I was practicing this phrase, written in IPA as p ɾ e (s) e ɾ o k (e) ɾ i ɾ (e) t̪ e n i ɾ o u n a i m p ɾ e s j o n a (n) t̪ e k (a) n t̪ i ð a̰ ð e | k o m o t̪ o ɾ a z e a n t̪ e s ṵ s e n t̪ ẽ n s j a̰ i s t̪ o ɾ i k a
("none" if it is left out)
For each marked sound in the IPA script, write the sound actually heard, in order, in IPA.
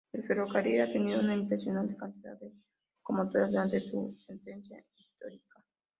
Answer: f, a, a, n, a

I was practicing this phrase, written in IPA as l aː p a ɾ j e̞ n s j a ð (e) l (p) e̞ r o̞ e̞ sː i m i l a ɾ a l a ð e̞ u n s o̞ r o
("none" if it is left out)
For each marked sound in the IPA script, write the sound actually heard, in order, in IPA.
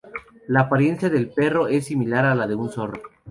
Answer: e, p

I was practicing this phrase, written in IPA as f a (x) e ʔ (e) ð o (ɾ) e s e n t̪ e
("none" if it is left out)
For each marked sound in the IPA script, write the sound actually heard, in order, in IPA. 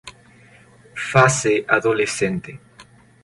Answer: s, a, l

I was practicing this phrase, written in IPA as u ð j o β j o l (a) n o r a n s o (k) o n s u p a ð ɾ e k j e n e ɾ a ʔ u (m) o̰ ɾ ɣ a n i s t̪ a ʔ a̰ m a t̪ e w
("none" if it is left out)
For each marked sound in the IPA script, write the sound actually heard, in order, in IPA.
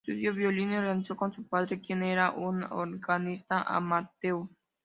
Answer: i, k, n

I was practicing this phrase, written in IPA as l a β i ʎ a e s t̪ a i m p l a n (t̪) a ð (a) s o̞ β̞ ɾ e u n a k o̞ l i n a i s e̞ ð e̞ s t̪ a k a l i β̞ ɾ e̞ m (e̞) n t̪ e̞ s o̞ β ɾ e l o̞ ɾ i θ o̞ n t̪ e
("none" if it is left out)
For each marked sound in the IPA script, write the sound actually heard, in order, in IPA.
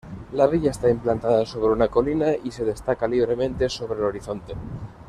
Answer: t̪, a, ẽ̞

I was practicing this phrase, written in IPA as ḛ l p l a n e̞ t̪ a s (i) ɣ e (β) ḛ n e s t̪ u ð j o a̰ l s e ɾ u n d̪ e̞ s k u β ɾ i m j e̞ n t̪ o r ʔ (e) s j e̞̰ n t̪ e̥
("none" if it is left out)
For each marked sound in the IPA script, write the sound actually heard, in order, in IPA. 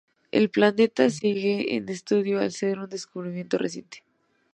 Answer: i, none, e

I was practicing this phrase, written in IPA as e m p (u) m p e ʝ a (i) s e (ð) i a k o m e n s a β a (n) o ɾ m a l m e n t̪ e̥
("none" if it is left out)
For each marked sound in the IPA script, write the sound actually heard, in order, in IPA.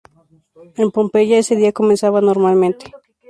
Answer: o, e, ð, n

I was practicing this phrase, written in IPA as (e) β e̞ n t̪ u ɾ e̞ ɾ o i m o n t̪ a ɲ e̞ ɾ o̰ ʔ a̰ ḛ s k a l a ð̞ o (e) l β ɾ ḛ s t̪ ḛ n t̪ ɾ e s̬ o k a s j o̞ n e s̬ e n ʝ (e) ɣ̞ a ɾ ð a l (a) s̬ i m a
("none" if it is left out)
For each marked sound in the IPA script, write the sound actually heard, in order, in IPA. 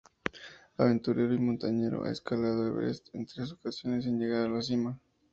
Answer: a, e, e, a

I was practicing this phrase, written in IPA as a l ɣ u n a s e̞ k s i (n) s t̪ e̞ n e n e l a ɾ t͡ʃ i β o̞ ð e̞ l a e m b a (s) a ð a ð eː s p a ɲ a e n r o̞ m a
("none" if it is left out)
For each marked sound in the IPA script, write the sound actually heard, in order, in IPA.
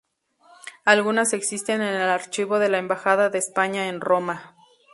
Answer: none, x

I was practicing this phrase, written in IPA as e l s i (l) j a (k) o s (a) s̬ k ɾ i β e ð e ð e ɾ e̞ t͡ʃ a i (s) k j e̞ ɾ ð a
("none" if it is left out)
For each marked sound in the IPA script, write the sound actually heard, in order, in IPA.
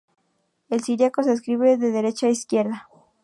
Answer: ɾ, k, e, s

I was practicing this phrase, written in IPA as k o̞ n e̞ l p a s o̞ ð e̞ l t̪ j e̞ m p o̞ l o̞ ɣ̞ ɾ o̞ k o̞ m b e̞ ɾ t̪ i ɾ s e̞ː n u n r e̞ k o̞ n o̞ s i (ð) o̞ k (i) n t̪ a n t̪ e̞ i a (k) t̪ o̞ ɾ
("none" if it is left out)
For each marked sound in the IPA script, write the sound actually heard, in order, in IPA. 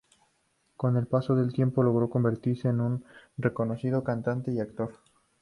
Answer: ð, a, k

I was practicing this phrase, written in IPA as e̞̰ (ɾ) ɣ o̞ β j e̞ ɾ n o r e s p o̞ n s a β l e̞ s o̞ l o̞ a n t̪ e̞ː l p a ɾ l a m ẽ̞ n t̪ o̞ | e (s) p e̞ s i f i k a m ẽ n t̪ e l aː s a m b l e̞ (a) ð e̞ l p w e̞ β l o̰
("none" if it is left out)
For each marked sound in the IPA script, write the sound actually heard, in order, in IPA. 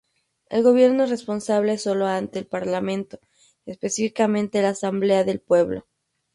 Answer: l, s, a

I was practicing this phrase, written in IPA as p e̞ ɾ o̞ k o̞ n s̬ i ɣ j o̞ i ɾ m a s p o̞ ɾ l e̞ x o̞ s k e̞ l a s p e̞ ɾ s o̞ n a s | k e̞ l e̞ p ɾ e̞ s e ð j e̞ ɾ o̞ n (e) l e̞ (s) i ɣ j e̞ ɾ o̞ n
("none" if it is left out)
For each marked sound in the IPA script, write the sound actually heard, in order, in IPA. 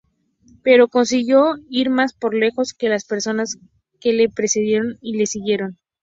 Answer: i, s

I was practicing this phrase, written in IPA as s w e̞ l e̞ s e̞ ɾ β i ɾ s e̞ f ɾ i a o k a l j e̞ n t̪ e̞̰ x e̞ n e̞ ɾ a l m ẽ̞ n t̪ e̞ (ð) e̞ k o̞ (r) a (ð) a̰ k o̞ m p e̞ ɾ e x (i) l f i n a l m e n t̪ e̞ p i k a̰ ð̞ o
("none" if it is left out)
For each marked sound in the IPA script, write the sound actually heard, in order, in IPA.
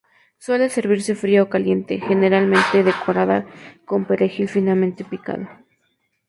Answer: ð, ɾ, ð, i

